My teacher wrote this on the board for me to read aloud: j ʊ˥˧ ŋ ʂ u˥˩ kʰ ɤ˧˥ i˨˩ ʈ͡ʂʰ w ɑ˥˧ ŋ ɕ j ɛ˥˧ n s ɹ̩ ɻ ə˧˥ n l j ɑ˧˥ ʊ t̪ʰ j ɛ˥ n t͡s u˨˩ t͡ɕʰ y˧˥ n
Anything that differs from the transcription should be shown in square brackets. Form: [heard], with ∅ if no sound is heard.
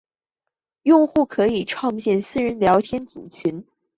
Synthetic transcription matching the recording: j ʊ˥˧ ŋ [x] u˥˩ kʰ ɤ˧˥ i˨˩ ʈ͡ʂʰ w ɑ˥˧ ŋ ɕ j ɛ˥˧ n s ɹ̩ ɻ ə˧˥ n l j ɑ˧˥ ʊ t̪ʰ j ɛ˥ n t͡s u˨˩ t͡ɕʰ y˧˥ n